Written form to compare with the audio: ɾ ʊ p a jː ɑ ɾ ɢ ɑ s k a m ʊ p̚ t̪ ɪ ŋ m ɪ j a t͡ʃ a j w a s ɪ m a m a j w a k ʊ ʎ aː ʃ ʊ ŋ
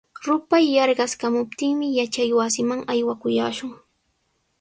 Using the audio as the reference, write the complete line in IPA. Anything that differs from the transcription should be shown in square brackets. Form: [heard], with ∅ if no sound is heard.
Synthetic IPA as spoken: ɾ ʊ p a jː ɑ ɾ ɢ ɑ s k a m ʊ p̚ t̪ ɪ ŋ m ɪ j a t͡ʃ a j w a s ɪ m a [ŋ] a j w a k ʊ [j] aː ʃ ʊ ŋ